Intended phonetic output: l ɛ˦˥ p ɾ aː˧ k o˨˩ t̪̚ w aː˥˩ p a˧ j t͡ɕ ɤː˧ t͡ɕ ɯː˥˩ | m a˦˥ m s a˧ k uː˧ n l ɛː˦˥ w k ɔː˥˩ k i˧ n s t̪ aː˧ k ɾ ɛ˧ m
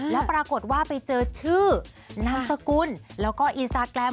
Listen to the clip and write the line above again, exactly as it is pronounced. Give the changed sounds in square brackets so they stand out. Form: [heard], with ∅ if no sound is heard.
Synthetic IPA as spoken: l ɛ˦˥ p ɾ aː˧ k o˨˩ t̪̚ w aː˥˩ p a˧ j t͡ɕ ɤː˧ [t͡ɕʰ] ɯː˥˩ | [n] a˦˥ m s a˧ k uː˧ n l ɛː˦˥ w k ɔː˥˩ [ʔ] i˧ n s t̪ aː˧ k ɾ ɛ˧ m